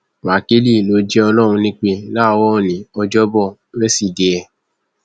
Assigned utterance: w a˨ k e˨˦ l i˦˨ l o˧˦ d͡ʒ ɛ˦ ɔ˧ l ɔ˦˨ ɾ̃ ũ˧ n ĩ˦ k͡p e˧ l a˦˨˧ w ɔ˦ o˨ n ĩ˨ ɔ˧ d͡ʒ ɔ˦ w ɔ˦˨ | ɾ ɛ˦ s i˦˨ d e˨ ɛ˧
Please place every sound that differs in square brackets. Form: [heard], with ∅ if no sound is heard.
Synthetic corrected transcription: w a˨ k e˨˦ l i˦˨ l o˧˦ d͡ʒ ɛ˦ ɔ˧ l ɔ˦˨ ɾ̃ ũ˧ n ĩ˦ k͡p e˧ l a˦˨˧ w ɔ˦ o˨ n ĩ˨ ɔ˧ d͡ʒ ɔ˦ [b] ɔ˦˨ | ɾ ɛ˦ s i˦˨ d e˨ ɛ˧